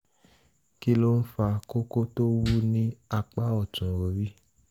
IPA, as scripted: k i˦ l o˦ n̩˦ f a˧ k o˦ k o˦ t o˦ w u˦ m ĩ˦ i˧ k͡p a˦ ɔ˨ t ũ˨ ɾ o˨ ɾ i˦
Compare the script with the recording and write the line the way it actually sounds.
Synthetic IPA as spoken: k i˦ l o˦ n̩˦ f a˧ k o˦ k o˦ t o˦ w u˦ n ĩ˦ a˧ k͡p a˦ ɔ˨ t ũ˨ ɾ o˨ ɾ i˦